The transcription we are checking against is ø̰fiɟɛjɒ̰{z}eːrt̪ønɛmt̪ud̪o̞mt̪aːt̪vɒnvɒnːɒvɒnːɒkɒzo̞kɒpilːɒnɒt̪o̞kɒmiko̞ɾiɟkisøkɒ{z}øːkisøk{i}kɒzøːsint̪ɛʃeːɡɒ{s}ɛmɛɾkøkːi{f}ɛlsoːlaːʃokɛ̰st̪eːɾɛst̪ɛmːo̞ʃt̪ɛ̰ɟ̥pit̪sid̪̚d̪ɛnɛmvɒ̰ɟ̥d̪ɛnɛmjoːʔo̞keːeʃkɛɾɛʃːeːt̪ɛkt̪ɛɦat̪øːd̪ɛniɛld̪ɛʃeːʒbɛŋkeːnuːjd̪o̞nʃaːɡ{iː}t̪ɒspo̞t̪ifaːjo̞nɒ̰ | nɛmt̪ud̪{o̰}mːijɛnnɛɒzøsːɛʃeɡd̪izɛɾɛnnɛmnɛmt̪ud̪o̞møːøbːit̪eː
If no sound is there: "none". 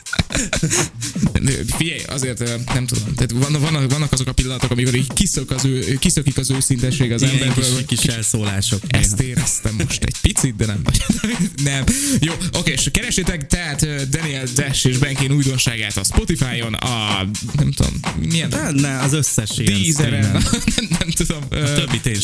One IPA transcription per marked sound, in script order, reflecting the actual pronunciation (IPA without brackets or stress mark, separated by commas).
z, z, i, z, ʃ, aː, o̰